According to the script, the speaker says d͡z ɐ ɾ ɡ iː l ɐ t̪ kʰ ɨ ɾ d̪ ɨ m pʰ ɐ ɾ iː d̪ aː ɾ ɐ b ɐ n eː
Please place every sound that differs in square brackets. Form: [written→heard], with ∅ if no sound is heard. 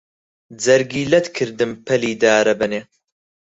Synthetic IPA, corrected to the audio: d͡z ɐ ɾ ɡ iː l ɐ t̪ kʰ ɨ ɾ d̪ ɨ m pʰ ɐ [ɾ→l] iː d̪ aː ɾ ɐ b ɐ n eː